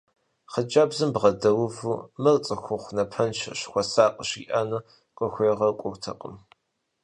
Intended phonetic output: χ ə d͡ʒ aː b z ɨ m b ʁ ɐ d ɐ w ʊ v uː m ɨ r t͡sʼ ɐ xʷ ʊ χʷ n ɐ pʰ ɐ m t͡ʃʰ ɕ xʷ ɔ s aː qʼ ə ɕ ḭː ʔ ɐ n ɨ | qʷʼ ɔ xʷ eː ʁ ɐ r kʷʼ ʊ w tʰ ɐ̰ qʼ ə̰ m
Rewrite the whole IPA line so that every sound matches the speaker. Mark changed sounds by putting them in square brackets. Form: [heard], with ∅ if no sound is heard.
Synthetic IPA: χ ə d͡ʒ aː b z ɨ m b ʁ ɐ d ɐ w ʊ v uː m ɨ r t͡sʼ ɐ xʷ ʊ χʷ n ɐ pʰ ɐ [n] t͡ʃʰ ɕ xʷ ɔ s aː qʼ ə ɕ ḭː ʔ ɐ n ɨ | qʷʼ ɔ xʷ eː ʁ ɐ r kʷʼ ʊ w tʰ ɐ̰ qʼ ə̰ m